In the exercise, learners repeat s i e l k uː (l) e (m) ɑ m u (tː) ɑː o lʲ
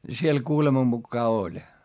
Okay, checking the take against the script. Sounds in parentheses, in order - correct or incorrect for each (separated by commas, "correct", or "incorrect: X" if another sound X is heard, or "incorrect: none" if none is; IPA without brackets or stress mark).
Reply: correct, correct, incorrect: kː